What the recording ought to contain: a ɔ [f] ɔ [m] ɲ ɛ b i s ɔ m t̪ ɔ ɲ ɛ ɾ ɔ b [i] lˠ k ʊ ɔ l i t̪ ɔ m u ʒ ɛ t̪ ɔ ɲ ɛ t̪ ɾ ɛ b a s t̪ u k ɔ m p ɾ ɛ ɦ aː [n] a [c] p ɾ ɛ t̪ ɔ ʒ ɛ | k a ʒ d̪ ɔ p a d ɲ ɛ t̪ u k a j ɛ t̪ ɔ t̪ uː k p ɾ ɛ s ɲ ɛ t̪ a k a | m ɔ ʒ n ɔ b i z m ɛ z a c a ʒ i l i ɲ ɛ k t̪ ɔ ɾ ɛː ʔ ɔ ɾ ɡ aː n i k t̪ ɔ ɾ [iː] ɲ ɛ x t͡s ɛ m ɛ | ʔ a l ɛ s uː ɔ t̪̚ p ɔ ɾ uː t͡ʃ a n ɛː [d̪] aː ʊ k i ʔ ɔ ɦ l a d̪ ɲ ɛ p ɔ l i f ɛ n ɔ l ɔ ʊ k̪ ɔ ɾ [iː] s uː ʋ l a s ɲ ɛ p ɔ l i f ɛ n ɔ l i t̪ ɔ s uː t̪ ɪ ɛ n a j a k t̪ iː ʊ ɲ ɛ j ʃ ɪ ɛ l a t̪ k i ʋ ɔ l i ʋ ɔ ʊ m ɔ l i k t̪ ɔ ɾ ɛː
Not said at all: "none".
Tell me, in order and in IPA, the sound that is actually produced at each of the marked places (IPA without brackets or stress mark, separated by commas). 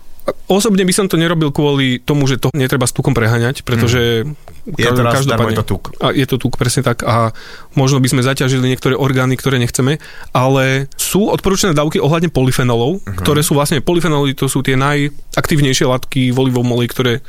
s, b, i, ɲ, c, ɛː, d̪, ɛː